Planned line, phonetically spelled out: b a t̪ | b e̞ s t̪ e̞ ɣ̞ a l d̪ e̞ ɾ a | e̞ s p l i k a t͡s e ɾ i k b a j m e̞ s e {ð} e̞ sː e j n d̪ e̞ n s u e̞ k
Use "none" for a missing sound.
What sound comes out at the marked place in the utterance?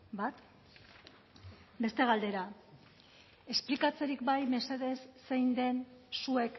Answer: ð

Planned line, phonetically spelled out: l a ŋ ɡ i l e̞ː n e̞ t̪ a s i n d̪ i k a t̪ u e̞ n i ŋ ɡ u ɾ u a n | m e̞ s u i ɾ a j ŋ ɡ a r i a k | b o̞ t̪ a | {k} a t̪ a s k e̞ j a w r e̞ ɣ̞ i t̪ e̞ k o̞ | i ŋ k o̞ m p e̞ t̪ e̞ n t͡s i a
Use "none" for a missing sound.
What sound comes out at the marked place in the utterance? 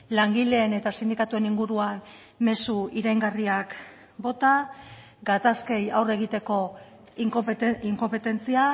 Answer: ɡ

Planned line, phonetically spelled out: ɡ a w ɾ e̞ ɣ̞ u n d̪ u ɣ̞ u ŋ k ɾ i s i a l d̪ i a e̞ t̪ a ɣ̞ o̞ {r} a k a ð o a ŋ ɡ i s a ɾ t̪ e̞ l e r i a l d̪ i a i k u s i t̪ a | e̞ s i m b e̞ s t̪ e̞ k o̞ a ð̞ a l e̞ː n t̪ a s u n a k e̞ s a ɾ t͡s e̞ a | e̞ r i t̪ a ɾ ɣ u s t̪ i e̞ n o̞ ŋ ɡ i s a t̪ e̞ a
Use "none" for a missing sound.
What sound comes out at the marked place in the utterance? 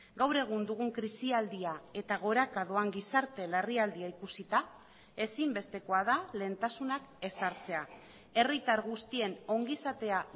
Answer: ɾ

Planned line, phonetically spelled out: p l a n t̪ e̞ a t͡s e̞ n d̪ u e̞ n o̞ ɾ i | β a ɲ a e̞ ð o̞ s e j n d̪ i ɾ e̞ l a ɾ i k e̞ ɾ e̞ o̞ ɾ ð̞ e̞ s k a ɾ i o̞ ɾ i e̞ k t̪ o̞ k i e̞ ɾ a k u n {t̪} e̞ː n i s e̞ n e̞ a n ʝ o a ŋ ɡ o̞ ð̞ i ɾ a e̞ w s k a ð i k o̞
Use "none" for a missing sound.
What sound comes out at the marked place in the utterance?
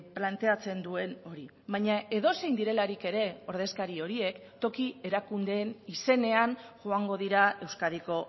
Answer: d̪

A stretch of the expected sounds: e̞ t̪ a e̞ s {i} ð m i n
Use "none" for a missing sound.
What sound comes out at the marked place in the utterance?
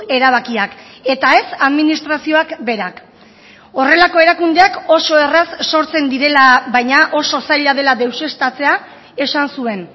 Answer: a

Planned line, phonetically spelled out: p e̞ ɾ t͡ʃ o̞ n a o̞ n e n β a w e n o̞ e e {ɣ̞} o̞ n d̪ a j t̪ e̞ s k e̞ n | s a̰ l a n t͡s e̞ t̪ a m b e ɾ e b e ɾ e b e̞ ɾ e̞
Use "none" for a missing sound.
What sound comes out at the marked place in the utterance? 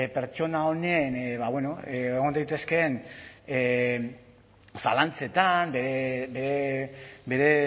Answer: ɣ̞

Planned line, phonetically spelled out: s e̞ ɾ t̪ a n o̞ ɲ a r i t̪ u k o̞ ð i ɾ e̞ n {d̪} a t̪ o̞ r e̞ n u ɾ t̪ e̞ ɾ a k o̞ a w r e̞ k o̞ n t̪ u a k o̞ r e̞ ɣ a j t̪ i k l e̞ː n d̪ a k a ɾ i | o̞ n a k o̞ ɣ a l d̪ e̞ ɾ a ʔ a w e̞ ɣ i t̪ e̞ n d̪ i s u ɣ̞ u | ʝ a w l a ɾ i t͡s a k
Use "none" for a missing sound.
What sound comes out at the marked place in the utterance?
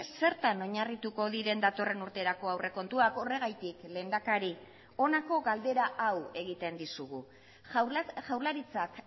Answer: d̪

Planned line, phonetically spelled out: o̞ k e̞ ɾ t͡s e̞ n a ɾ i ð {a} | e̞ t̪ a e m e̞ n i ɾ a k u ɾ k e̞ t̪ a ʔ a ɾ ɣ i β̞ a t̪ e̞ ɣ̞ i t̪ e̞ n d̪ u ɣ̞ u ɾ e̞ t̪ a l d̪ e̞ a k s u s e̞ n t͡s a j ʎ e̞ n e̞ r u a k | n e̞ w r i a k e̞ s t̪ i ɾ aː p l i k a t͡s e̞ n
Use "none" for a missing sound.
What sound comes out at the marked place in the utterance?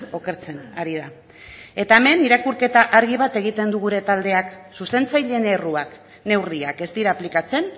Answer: a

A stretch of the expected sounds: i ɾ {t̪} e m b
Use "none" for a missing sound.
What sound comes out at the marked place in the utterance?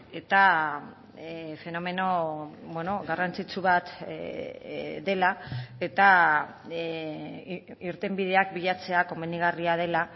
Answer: t̪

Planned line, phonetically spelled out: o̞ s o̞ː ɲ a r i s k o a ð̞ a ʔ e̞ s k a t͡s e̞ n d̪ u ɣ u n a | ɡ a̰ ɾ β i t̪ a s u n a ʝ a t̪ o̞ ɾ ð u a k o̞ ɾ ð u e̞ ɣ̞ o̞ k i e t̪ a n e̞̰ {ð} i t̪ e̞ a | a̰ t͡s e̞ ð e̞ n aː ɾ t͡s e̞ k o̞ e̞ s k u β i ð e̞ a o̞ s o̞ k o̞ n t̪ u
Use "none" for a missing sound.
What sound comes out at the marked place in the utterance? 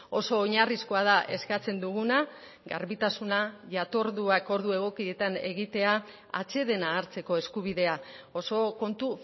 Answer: ɣ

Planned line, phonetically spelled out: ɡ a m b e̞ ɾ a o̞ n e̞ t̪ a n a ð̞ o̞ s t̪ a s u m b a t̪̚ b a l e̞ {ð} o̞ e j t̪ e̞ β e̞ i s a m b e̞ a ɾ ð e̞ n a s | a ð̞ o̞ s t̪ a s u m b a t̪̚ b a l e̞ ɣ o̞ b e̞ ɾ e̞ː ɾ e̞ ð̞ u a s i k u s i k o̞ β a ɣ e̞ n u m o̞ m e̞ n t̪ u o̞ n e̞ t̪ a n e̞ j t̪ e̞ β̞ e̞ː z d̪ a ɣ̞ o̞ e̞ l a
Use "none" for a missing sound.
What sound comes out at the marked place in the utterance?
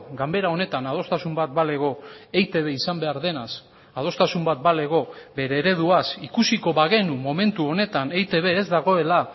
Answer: ɣ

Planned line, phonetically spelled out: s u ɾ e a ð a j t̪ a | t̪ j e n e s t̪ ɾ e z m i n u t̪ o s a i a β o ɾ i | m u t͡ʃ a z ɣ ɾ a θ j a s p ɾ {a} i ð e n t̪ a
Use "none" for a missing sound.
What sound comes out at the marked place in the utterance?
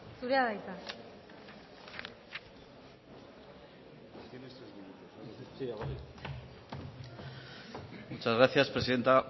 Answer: e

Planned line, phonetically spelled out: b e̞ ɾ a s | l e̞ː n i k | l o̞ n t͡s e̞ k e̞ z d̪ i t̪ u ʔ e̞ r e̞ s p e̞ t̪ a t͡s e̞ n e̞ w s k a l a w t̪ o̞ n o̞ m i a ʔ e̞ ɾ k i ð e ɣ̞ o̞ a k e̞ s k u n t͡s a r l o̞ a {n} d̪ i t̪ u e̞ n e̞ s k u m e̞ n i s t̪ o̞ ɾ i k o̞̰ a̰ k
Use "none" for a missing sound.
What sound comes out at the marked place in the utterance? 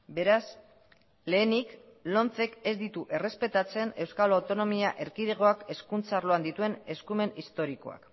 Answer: n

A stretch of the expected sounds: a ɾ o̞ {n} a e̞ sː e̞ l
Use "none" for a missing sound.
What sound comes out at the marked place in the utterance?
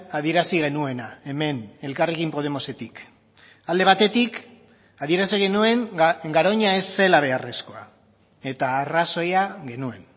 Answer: ɲ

